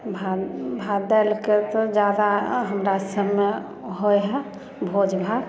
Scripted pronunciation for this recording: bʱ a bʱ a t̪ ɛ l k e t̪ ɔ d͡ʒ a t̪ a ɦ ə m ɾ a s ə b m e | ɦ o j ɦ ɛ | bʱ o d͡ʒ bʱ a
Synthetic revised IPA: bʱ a bʱ a d̪ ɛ l k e t̪ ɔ d͡ʒ a d̪ a ɦ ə m ɾ a s ə b m e | ɦ o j ɦ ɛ | bʱ o d͡ʒ bʱ a